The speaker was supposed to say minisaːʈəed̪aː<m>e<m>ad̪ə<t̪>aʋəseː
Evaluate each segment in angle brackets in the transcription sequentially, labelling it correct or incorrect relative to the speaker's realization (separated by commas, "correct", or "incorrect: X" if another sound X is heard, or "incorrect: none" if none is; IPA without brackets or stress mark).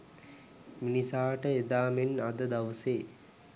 correct, incorrect: n, incorrect: d̪